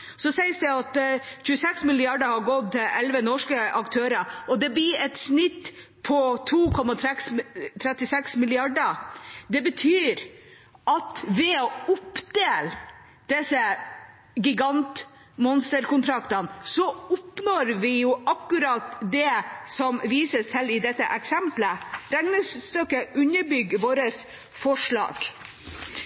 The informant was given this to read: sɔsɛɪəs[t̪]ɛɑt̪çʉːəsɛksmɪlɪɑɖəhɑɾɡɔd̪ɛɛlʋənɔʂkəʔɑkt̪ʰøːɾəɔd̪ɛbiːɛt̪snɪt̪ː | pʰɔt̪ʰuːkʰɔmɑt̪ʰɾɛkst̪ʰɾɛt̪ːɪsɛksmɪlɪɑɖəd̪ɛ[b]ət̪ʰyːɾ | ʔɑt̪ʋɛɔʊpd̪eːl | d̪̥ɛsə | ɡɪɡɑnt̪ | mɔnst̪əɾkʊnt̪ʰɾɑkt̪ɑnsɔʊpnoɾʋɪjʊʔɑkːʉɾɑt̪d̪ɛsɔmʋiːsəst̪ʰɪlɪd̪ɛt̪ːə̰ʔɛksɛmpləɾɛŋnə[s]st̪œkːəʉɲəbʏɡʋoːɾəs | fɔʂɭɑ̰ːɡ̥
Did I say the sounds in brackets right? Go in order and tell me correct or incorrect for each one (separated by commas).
incorrect, correct, correct